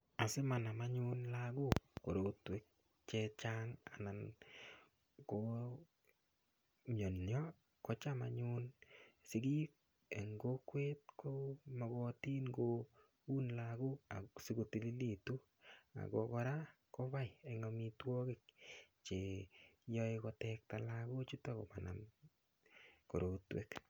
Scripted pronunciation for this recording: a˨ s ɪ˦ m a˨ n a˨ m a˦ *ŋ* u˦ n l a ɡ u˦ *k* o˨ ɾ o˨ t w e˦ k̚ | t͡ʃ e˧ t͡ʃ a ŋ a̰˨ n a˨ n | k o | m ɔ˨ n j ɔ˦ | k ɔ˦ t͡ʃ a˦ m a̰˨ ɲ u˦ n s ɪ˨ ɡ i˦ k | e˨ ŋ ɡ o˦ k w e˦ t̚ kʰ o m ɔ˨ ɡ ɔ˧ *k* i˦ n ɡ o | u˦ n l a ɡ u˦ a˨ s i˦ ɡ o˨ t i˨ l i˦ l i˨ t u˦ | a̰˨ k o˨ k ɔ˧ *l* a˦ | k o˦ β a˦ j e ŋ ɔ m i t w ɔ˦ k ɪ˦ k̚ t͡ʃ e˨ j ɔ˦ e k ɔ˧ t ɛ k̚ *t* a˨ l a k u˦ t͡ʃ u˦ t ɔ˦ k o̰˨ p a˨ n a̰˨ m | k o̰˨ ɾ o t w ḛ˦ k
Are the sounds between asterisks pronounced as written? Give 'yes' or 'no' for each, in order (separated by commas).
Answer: no, yes, no, no, yes